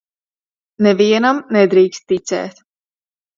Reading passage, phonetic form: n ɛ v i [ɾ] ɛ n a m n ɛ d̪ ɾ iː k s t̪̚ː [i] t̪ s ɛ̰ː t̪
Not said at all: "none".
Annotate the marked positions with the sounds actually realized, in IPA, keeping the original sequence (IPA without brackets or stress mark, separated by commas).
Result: none, i